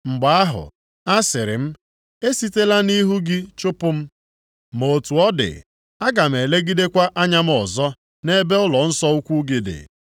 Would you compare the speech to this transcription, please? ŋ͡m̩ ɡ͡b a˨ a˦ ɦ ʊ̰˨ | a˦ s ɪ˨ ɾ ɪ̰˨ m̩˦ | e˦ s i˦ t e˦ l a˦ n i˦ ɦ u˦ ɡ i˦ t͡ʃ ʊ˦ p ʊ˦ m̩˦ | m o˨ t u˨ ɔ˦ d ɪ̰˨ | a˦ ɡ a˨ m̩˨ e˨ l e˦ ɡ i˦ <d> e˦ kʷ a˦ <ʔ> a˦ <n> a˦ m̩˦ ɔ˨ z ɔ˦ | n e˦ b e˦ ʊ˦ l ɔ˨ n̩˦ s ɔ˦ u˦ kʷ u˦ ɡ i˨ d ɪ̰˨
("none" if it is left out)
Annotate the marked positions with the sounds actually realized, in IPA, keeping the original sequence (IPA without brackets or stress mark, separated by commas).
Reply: d, ʔ, ɲ